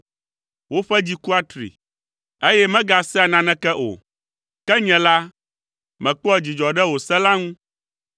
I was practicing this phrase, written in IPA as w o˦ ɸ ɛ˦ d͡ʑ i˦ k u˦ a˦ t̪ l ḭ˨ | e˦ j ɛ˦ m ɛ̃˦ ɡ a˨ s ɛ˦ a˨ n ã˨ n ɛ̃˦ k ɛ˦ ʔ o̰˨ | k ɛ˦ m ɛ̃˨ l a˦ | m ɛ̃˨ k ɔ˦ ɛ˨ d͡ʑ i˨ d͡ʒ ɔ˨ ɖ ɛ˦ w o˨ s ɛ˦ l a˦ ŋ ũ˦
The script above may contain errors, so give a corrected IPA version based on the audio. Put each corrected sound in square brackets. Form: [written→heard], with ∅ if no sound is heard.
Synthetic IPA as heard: w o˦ ɸ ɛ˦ d͡ʑ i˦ k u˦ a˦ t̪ [l→ɾ] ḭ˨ | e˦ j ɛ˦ m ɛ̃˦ ɡ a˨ s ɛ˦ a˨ n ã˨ n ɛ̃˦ k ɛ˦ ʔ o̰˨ | k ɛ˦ [m→ɲ] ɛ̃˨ l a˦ | m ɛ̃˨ [k→k͡p] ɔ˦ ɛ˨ d͡ʑ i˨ d͡ʒ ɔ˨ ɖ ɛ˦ w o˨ s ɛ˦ l a˦ ŋ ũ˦

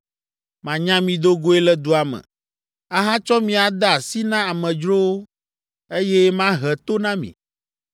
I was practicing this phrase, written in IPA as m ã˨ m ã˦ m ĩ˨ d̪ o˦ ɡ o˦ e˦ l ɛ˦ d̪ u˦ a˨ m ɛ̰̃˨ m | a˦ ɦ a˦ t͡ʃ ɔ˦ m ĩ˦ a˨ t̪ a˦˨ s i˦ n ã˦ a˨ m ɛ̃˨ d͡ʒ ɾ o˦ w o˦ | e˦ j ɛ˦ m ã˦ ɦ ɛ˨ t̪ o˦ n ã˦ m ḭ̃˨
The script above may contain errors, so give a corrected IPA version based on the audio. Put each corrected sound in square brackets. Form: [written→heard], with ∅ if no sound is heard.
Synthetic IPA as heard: m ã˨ [m→ɲ] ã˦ m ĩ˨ d̪ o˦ ɡ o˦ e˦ l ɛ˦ d̪ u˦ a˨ m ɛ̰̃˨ [m→∅] | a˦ ɦ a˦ t͡ʃ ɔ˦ m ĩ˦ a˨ [t̪→d̪] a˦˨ s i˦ n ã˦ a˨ m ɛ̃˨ d͡ʒ ɾ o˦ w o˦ | e˦ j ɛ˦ m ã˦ ɦ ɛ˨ t̪ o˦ n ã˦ m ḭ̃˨

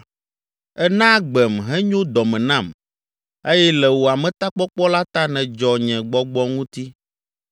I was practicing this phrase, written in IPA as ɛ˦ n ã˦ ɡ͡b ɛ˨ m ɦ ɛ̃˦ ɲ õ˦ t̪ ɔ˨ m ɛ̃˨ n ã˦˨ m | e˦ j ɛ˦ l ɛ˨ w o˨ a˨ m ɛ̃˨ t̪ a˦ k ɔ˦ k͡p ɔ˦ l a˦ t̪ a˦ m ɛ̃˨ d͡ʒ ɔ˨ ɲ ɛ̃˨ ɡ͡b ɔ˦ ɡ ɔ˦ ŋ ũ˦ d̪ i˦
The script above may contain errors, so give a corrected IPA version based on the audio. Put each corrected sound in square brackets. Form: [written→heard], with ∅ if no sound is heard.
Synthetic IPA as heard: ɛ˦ n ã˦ ɡ͡b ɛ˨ m ɦ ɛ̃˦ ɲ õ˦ [t̪→d̪] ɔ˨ m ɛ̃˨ n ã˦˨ m | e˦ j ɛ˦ l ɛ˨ w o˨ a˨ m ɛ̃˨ t̪ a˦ [k→k͡p] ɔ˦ k͡p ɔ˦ l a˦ t̪ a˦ [m→n] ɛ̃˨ d͡ʒ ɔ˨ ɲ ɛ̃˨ ɡ͡b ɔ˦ [ɡ→ɡ͡b] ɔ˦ ŋ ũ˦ [d̪→t̪] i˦

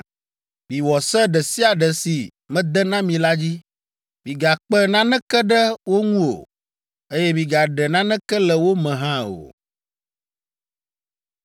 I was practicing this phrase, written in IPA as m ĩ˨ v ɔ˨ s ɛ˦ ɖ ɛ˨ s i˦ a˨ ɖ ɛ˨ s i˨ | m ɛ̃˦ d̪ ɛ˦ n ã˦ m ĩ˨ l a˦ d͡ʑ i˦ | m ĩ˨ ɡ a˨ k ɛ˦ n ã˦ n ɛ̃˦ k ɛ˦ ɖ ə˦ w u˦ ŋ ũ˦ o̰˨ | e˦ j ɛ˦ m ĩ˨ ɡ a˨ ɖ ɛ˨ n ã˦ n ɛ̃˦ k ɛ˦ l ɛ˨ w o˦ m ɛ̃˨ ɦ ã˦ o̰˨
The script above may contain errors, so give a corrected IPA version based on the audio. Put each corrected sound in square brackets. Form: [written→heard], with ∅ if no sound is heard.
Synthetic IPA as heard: m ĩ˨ [v→w] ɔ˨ s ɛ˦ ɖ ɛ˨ s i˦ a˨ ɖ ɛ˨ s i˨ | m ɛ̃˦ d̪ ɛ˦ n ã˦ m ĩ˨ l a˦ d͡ʑ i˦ | m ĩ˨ ɡ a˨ [k→k͡p] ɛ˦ n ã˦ n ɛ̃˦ k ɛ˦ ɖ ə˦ w [u˦→o˦] ŋ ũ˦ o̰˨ | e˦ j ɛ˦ m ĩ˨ ɡ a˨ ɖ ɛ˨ n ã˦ n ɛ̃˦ k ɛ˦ l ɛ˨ w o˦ m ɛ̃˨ ɦ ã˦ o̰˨

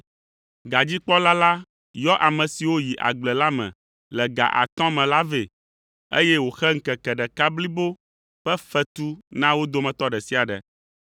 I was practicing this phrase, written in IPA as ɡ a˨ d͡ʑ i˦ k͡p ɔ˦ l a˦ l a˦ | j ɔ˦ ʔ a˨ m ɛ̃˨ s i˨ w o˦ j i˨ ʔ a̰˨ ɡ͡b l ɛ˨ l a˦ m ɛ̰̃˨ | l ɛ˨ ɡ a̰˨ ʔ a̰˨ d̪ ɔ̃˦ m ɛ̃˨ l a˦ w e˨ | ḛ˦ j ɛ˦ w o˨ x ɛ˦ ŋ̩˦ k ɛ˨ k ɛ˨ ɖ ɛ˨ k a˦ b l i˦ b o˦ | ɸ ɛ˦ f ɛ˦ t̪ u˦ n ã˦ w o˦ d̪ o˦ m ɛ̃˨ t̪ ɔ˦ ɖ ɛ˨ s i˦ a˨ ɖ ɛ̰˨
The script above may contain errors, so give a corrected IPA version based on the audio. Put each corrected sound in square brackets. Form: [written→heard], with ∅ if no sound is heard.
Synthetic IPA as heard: ɡ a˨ d͡ʑ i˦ k͡p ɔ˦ l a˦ l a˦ | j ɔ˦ ʔ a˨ m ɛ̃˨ s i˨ w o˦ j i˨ ʔ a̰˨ ɡ͡b l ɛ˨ l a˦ m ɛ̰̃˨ | l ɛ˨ ɡ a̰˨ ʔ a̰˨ [d̪→t̪] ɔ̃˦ m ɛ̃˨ l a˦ [w→v] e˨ | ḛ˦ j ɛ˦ w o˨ x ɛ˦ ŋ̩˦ k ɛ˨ k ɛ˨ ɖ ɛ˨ k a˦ b l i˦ b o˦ | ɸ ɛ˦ f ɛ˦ t̪ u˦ n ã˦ w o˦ d̪ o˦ m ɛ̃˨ t̪ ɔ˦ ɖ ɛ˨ s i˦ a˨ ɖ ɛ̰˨

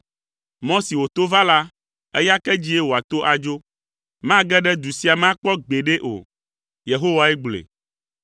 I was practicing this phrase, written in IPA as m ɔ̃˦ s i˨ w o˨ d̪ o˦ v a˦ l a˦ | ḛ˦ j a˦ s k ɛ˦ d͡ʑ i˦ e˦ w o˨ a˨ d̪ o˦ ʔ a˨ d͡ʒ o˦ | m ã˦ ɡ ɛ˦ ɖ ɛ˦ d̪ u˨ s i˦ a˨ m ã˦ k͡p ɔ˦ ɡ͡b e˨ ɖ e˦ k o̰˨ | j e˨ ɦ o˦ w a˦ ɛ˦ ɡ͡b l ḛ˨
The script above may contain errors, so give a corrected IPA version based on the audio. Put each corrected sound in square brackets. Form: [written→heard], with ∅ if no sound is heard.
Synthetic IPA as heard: m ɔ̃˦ s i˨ w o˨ [d̪→t̪] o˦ v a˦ l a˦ | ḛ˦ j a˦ [s→∅] k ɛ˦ d͡ʑ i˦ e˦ w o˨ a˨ [d̪→t̪] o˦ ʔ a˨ d͡ʒ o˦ | m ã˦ ɡ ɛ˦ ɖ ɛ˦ d̪ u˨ s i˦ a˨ m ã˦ k͡p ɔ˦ ɡ͡b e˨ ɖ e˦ [k→ʔ] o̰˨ | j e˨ ɦ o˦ w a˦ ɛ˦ ɡ͡b l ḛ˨

